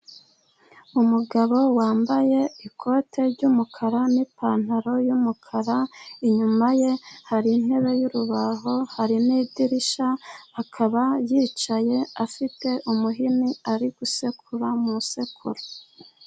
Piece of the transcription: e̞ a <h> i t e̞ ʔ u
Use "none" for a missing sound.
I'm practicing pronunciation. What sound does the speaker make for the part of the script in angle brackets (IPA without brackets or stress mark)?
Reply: f